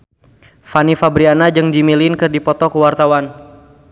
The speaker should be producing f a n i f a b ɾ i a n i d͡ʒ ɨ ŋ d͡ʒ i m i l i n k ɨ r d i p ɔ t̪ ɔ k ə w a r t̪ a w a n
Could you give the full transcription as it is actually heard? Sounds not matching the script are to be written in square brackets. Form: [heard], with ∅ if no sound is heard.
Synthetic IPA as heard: f a n i f a b ɾ i a n [a] d͡ʒ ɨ ŋ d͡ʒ i m i l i n k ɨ r d i p ɔ t̪ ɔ k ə w a r t̪ a w a n